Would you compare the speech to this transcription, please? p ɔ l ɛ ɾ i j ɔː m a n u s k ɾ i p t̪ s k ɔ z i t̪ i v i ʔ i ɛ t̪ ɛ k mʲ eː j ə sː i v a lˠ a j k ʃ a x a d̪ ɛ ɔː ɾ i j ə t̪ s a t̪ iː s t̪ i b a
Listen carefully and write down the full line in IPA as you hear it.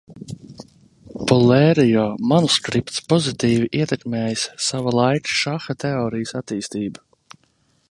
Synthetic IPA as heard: p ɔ l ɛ ɾ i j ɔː m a n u s k ɾ i p t̪ s p ɔ z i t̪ iː v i ʔ i ɛ t̪ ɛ k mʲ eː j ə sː a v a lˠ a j k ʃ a x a t̪ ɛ ɔː ɾ i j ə s a t̪ iː s t̪ iː b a

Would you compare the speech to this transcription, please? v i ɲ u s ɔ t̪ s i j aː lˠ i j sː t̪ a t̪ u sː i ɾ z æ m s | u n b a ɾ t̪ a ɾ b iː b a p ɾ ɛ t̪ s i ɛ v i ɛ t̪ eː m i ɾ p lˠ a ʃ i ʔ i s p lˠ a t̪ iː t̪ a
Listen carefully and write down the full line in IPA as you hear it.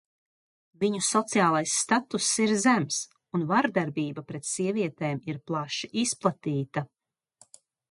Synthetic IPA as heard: v i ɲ u s ɔ t̪ s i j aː lˠ a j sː t̪ a t̪ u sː i ɾ z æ m s | u n v a ɾ d̪ a ɾ b iː b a p ɾ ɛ t̪ s i ɛ v i ɛ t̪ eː m i ɾ p lˠ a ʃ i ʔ i s p lˠ a t̪ iː t̪ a

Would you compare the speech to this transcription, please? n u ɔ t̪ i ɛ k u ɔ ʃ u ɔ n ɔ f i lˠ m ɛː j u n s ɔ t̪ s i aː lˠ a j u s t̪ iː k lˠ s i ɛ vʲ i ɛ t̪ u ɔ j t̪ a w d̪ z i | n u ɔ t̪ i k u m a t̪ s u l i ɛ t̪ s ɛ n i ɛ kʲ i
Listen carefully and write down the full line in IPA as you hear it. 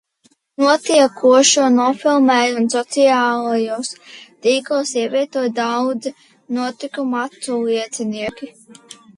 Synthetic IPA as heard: n u ɔ t̪ i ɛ k u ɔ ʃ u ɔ n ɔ f i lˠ m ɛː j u n s ɔ t̪ s i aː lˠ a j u s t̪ iː k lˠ s i ɛ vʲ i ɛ t̪ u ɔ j d̪ a w d̪ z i | n u ɔ t̪ i k u m a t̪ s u l i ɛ t̪ s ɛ n i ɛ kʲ i

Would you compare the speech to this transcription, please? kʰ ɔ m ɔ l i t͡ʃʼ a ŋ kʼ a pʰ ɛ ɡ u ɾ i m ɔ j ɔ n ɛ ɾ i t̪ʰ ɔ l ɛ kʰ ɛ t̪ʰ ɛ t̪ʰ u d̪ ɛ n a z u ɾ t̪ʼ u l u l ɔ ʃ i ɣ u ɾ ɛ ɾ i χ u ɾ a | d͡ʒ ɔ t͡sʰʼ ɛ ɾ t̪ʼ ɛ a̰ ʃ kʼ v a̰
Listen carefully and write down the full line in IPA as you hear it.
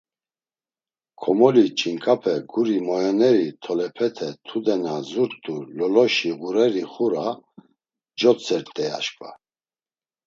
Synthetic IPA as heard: kʰ ɔ m ɔ l i t͡ʃʼ i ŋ kʼ a pʰ ɛ ɡ u ɾ i m ɔ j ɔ n ɛ ɾ i t̪ʰ ɔ l ɛ pʰ ɛ t̪ʰ ɛ t̪ʰ u d̪ ɛ n a z u ɾ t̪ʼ u l ɔ l ɔ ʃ i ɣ u ɾ ɛ ɾ i χ u ɾ a | d͡ʒ ɔ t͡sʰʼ ɛ ɾ t̪ʼ ɛ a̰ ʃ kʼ v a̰

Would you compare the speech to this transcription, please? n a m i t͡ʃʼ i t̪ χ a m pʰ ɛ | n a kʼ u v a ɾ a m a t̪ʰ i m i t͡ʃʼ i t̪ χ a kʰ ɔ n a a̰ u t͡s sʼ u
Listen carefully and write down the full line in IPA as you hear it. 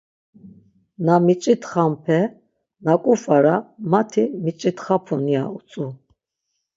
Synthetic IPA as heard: n a m i t͡ʃʼ i t̪ χ a m pʰ ɛ | n a kʼ u f a ɾ a m a t̪ʰ i m i t͡ʃʼ i t̪ χ a pʰ ɔ n i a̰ u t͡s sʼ u

